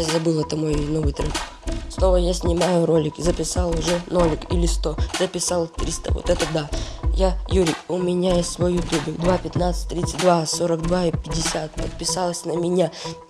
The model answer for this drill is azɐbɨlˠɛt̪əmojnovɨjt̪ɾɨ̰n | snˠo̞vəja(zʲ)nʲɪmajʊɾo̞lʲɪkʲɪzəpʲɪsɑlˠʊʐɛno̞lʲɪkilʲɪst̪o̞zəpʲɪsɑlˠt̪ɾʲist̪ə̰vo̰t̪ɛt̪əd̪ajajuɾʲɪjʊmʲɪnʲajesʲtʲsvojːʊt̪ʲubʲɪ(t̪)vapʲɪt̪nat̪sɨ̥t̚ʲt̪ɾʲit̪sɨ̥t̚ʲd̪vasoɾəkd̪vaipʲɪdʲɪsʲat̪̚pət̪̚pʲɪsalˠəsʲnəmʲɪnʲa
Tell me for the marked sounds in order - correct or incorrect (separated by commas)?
incorrect, incorrect